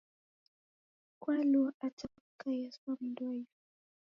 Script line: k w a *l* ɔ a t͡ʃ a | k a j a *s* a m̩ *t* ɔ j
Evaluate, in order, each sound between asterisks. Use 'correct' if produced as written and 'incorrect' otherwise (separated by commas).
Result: correct, correct, incorrect